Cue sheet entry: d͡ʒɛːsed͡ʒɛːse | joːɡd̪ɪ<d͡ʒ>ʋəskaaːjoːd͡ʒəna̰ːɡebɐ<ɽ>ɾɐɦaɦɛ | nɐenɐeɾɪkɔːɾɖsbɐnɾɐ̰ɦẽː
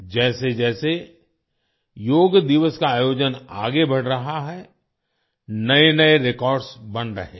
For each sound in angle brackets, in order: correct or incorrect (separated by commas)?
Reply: incorrect, correct